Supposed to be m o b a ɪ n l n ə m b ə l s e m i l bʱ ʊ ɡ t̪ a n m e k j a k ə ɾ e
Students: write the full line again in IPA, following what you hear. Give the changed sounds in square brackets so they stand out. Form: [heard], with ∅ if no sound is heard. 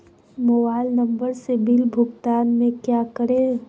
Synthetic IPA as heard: m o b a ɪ [∅] l n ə m b ə [ɾ] s e [b] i l bʱ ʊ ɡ t̪ a n m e k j a k ə ɾ e